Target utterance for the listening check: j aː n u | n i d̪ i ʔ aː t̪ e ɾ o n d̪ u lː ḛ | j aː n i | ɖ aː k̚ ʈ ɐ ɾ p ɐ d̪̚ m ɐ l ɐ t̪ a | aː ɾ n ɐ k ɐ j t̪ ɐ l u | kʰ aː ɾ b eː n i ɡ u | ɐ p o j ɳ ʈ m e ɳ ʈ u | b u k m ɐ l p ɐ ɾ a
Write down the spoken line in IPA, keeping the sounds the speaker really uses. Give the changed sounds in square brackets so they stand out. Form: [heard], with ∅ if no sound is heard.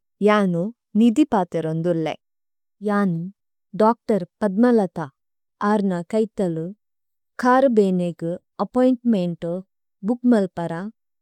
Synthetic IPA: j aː n u | n i d̪ i [p] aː t̪ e ɾ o n d̪ u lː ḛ | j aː n i | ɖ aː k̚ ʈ ɐ ɾ p ɐ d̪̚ m ɐ l ɐ t̪ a | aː ɾ n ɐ k ɐ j t̪ ɐ l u | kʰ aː ɾ b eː n [e] ɡ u | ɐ p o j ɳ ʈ m e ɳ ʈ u | b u k m ɐ l p ɐ ɾ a